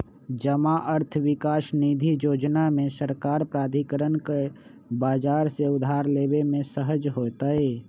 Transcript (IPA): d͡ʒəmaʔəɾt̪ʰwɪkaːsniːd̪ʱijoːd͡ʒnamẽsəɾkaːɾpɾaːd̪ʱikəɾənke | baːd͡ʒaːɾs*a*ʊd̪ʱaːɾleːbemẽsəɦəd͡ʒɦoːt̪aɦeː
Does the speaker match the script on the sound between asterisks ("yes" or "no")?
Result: no